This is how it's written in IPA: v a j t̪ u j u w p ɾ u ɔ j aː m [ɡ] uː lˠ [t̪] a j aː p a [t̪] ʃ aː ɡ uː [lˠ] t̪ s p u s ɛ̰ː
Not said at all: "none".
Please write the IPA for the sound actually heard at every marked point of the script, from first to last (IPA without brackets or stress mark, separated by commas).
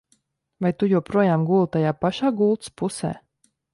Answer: ɡ, t̪, none, lˠ